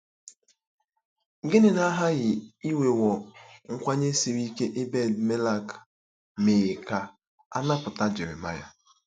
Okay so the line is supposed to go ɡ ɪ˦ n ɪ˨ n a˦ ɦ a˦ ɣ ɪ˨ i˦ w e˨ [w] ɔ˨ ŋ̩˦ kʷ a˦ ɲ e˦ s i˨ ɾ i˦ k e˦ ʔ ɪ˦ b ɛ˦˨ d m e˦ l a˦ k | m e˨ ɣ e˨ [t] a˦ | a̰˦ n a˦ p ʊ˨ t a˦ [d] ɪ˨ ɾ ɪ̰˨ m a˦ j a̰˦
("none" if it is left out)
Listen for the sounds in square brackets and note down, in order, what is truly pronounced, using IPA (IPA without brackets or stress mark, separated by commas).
w, k, d͡ʒ